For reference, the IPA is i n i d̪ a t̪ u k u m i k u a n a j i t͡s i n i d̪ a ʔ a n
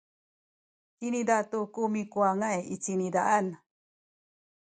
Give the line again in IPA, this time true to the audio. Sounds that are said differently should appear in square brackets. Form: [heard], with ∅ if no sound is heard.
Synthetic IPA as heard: i n i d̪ a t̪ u k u m i k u a [ŋ] a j i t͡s i n i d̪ a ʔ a n